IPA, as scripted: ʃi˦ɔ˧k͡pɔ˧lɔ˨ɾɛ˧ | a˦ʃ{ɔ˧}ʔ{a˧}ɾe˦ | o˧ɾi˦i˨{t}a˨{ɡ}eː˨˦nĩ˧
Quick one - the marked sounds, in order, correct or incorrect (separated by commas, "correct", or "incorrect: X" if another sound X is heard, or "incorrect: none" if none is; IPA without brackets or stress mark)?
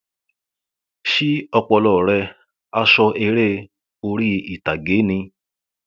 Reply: correct, incorrect: e˧, correct, correct